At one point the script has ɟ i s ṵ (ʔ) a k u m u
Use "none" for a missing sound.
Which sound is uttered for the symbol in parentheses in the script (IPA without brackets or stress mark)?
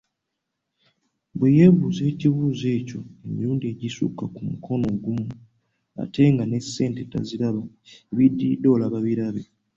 k